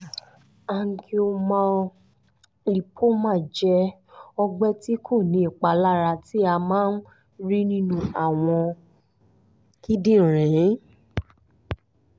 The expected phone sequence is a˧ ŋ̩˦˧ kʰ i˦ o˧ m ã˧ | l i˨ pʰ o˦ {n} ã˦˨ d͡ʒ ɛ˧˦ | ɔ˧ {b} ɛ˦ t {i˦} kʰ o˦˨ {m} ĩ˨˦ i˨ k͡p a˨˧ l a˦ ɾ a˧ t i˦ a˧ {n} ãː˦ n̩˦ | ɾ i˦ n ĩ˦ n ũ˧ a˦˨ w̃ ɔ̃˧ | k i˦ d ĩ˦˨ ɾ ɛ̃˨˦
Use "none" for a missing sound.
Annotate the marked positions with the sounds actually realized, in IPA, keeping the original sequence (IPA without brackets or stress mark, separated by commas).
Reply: m, ɡ͡b, i˦, n, m